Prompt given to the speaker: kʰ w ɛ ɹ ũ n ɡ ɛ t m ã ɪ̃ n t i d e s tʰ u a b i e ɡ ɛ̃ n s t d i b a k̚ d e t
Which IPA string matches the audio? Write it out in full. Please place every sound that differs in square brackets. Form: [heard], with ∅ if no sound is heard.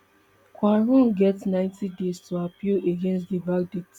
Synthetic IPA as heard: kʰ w [a] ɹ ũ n ɡ ɛ t [n] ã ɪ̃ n t i d e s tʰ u a [p] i e ɡ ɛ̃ n s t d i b a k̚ d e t